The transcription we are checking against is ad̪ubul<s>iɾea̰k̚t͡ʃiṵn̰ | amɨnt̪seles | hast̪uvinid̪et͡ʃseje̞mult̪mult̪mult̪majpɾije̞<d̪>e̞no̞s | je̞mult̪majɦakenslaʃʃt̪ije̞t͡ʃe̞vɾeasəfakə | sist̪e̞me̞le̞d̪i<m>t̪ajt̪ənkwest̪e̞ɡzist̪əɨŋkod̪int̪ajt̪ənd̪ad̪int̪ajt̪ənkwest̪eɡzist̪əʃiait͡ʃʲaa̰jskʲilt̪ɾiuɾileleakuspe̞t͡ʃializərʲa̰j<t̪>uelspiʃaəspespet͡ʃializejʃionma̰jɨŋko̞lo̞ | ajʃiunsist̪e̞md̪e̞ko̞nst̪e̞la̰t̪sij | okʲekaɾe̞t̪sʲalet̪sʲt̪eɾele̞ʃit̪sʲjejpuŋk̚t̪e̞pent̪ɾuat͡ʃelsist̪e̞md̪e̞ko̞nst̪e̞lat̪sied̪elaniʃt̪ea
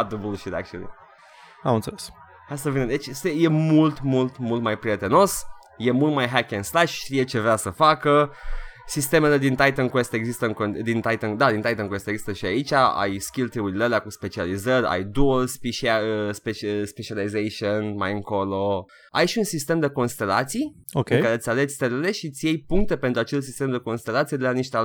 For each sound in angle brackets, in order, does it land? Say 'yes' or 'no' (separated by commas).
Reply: no, no, no, no